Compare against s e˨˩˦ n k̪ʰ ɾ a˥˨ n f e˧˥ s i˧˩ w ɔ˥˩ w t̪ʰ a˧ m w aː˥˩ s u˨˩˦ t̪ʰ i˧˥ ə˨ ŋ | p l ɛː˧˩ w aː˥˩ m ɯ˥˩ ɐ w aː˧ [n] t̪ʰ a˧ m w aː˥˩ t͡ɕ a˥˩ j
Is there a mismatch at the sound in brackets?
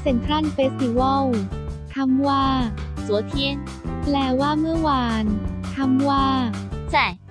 no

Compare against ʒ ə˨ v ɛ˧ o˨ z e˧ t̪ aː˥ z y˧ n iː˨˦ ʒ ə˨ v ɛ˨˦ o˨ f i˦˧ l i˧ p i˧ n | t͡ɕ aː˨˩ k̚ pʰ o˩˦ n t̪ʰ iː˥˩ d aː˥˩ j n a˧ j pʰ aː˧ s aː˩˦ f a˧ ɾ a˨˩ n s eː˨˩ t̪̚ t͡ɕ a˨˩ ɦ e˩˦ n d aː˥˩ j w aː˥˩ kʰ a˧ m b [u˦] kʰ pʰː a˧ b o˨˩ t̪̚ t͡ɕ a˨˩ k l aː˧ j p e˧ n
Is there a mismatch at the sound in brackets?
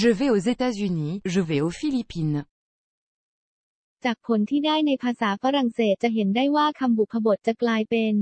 yes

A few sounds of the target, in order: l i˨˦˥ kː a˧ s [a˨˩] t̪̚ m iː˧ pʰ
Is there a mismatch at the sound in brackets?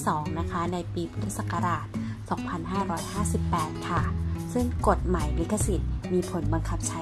yes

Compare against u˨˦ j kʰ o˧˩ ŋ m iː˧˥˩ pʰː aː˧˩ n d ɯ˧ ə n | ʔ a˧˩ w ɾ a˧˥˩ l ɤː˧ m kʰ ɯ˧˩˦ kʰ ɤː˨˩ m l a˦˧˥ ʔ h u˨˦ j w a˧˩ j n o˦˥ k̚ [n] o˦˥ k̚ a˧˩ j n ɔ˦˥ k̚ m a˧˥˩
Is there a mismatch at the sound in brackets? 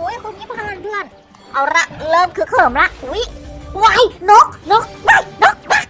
no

